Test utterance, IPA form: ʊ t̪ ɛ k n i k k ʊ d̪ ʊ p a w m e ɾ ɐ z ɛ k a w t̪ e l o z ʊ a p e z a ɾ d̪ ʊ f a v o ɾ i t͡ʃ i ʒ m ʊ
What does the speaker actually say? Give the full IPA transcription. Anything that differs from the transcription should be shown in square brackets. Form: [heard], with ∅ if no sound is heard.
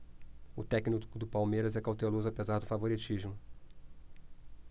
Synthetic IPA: ʊ t̪ ɛ k n i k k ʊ d̪ ʊ p a w m e ɾ ɐ z ɛ k a w t̪ e l o z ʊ a p e z a ɾ d̪ ʊ f a v o ɾ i t͡ʃ i ʒ m ʊ